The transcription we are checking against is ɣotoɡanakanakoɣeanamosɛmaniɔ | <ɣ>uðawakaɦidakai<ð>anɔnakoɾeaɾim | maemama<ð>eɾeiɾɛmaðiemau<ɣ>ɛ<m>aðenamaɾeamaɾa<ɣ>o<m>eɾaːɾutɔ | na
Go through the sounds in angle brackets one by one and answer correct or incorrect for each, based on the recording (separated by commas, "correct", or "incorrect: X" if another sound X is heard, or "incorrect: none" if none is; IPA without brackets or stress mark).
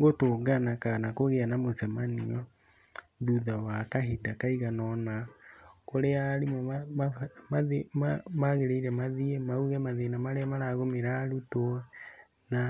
incorrect: ð, incorrect: ɣ, incorrect: ɣ, correct, correct, correct, correct